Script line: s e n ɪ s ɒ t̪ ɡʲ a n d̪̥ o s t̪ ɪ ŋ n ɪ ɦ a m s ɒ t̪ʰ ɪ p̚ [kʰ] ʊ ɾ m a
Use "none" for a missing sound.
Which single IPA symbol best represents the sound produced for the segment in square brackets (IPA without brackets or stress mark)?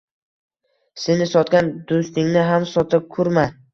kʰ